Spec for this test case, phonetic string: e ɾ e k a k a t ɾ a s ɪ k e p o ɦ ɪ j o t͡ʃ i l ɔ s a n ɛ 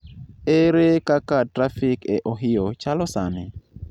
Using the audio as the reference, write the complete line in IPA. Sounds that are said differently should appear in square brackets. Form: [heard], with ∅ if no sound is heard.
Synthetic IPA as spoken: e ɾ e k a k a t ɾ a [f] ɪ k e [ʔ] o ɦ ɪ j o t͡ʃ [a] l ɔ s a n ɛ

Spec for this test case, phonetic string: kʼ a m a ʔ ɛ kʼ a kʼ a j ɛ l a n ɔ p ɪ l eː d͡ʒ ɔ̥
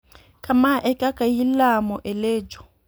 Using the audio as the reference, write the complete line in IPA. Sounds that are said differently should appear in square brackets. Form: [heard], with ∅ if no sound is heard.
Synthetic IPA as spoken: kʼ a m a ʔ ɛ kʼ a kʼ a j [i] l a [m] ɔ [ʔ] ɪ l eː d͡ʒ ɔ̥

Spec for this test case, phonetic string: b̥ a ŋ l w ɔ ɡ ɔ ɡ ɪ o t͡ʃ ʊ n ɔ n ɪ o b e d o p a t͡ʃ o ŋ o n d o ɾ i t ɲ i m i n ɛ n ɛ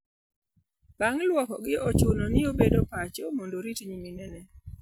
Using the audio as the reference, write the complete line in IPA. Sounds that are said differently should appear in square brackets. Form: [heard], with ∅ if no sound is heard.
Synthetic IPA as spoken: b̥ a ŋ l w ɔ [k] ɔ ɡ ɪ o t͡ʃ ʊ n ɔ n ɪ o b e d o p a t͡ʃ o [m] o n d o ɾ i t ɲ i m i n ɛ n ɛ

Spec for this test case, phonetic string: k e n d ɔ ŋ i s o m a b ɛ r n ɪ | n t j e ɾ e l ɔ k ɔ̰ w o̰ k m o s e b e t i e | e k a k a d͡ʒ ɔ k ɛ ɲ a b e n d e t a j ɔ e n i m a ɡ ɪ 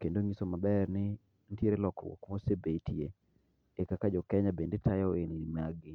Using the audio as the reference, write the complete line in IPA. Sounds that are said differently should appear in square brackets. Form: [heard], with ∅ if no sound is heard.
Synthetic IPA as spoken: k e n d [o] ŋ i s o m a b ɛ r n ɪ | n t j e ɾ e l ɔ k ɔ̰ w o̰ k m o s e b e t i e | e k a k a d͡ʒ ɔ k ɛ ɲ a b e n d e t a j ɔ e n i m a ɡ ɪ

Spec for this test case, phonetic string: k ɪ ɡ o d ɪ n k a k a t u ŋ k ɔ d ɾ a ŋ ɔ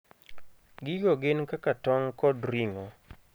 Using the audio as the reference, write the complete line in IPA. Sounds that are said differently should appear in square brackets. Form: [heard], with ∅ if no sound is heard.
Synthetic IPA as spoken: [ɡ] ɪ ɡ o [ɡ] ɪ n k a k a t [ɔ] ŋ k ɔ d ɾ [i] ŋ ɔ

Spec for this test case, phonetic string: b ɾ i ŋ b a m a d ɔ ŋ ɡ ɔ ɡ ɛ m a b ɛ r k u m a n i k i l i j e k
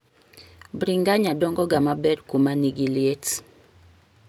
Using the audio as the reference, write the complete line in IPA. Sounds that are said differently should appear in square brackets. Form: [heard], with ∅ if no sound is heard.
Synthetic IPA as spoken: b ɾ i ŋ [ɡ] a [ɲ] a d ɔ ŋ ɡ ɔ ɡ [a] m a b ɛ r k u m a n i [ɡ] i l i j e [t]

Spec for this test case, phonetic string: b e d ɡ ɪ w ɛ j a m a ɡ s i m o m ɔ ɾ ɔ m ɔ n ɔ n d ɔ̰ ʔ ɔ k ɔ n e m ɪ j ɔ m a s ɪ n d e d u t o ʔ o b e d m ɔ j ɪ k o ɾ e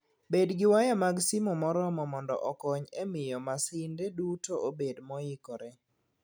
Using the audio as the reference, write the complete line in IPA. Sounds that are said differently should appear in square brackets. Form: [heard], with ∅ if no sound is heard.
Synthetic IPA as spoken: b e d ɡ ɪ w [a] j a m a ɡ s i m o m ɔ ɾ ɔ m ɔ [m] ɔ n d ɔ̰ ʔ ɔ k ɔ [ɲ] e m ɪ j ɔ m a s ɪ n d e d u t o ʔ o b e d m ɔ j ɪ k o ɾ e

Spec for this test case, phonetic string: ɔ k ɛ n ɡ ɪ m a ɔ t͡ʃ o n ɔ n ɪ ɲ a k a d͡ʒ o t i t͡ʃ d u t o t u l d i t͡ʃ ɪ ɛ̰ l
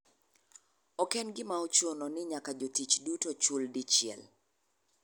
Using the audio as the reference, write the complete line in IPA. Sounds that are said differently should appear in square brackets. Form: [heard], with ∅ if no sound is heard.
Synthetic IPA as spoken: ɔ k ɛ n ɡ ɪ m a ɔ t͡ʃ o n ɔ n ɪ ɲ a k a d͡ʒ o t i t͡ʃ d u t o [t͡ʃ] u l d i t͡ʃ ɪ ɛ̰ l

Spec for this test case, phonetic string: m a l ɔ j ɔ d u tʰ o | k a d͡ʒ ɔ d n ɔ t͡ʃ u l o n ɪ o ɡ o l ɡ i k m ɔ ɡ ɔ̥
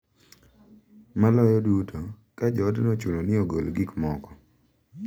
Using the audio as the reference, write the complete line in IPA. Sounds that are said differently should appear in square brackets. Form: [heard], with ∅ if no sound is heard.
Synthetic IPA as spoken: m a l ɔ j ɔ d u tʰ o | k a d͡ʒ ɔ d n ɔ t͡ʃ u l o n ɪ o ɡ o l ɡ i k m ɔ [k] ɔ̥

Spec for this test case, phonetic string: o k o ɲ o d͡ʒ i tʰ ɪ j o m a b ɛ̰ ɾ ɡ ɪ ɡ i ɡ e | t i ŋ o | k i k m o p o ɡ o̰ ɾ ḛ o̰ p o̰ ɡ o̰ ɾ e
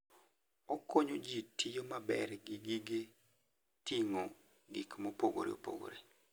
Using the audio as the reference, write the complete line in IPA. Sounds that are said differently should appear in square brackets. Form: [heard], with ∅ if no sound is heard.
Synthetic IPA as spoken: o k o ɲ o d͡ʒ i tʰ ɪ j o m a b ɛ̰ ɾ ɡ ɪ ɡ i ɡ e | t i ŋ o | [ɡ] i k m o p o ɡ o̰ ɾ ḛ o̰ p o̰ ɡ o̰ ɾ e

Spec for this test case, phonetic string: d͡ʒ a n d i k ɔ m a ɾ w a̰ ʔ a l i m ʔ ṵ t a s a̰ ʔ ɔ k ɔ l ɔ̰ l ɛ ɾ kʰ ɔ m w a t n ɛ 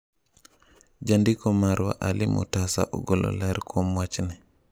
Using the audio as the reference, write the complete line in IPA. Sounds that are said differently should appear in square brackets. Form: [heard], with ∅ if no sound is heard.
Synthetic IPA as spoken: d͡ʒ a n d i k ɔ m a ɾ w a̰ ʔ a l i m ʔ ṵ t a s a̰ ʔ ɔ [ɡ] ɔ l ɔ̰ l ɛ ɾ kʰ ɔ m w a [t͡ʃ] n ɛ

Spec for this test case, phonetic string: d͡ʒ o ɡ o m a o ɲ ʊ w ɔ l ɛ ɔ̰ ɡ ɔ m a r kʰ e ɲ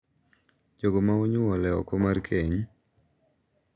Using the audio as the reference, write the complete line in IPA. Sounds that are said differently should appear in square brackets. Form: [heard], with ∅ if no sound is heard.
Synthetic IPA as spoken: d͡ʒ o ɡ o m a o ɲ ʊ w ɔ l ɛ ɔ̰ [k] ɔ m a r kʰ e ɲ

